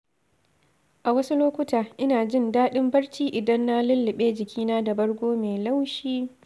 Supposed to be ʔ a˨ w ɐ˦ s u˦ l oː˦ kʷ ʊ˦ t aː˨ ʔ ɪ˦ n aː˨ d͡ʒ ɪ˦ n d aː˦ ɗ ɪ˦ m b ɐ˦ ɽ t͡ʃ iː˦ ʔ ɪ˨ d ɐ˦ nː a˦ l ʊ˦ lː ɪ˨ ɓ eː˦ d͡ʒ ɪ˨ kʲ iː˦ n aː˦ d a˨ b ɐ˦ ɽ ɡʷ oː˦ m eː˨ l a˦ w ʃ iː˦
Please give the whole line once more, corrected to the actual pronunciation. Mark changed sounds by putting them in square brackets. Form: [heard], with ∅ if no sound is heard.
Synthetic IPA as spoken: ʔ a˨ w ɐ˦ s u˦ l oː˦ kʷ ʊ˦ t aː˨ ʔ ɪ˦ n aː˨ d͡ʒ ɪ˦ n d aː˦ ɗ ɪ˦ m b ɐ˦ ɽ t͡ʃ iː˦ ʔ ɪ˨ d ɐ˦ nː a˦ l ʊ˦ lː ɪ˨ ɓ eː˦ d͡ʒ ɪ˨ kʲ iː˦ n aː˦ d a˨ b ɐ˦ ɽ ɡʷ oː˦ m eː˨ l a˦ w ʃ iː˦